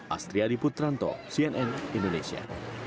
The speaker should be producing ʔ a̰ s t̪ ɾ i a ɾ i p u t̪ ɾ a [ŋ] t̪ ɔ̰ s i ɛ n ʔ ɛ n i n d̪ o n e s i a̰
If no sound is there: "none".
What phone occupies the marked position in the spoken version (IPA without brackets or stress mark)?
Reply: n